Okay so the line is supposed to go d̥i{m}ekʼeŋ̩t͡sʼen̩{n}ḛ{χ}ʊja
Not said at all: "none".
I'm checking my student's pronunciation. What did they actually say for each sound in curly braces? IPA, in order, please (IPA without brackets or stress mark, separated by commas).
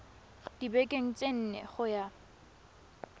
b, n, χ